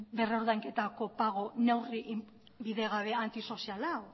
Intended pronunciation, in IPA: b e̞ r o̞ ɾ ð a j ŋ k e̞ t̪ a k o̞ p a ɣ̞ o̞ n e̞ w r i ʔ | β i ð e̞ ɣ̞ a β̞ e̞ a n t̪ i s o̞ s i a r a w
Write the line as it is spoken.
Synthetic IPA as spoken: b e̞ r o̞ ɾ ð a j ŋ k e̞ t̪ a k o̞ p a ɣ̞ o̞ n e̞ w r i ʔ | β i ð e̞ ɣ̞ a β̞ e̞ a n t̪ i s o̞ s i a l a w